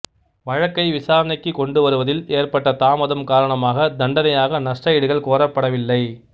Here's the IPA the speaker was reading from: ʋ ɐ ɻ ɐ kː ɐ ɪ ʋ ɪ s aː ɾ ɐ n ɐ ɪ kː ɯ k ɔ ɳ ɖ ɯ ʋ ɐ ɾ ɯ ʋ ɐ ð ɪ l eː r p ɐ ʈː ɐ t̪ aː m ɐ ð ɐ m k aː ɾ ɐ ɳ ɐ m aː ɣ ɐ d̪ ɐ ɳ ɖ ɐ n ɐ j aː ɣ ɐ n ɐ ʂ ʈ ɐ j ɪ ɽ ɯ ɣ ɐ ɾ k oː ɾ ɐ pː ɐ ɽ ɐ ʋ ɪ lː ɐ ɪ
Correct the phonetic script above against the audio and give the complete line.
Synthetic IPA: ʋ ɐ ɻ ɐ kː ɐ ɪ ʋ ɪ s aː ɾ ɐ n ɐ ɪ kː ɯ k ɔ ɳ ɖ ɯ ʋ ɐ ɾ ɯ ʋ ɐ ð ɪ l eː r p ɐ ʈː ɐ t̪ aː m ɐ ð ɐ m k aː ɾ ɐ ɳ ɐ m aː ɣ ɐ d̪ ɐ ɳ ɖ ɐ n ɐ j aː ɣ ɐ n ɐ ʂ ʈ ɐ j ɪ ɽ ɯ ɣ ɐ ɭ k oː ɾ ɐ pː ɐ ɽ ɐ ʋ ɪ lː ɐ ɪ